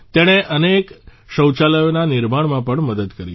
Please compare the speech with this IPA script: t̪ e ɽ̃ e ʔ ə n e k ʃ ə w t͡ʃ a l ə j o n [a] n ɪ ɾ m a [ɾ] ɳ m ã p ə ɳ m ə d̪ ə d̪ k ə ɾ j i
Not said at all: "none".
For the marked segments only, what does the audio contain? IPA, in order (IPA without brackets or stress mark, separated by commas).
a, none